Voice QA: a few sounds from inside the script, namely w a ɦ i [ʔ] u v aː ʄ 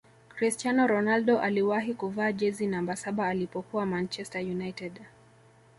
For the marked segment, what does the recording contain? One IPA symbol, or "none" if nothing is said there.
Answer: k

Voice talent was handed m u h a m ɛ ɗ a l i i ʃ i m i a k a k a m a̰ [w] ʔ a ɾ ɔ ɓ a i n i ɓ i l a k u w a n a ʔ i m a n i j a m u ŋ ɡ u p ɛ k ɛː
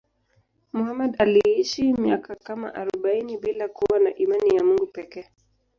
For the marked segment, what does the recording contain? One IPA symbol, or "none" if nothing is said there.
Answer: none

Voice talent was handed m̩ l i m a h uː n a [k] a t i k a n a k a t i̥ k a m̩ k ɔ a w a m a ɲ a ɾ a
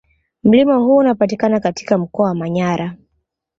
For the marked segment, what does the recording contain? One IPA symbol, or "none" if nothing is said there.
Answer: p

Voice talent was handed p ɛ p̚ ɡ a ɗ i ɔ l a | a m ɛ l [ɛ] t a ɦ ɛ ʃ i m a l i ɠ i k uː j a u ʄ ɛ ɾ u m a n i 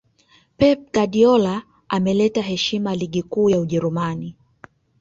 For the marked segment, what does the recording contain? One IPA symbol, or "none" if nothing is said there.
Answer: ɛ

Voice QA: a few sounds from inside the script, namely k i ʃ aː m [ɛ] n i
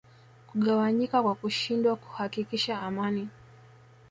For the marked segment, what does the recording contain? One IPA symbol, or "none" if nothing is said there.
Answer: a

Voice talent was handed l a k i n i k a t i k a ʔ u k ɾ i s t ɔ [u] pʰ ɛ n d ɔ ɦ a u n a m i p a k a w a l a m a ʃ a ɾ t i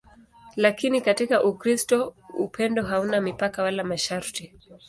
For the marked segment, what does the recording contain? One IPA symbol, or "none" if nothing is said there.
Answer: u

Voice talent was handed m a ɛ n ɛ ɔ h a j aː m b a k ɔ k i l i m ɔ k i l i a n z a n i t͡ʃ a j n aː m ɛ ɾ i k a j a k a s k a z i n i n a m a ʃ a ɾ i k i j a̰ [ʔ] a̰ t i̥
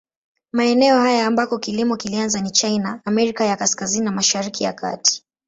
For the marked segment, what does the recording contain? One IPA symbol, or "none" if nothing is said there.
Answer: k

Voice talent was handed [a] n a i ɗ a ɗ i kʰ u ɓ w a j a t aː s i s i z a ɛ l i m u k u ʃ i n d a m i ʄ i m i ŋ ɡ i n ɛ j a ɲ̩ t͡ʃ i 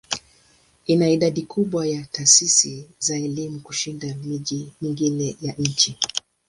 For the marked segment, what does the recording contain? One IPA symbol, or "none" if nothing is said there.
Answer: i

